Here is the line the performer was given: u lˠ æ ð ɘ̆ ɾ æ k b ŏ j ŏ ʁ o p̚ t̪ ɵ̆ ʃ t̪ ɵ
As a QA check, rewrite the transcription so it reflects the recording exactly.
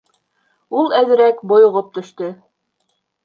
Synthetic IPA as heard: u lˠ æ ð ɘ̆ ɾ æ k b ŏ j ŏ ʁ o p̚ t̪ ɵ̆ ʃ t̪ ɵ